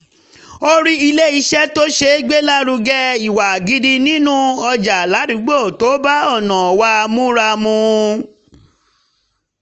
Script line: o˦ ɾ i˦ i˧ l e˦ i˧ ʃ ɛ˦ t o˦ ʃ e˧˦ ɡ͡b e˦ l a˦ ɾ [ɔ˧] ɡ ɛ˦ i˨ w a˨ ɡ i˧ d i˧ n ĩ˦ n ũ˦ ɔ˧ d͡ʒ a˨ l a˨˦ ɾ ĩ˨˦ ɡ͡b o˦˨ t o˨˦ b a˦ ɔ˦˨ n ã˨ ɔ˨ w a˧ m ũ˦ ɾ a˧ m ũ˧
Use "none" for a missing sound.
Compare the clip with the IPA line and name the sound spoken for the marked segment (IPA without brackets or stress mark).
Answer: u˧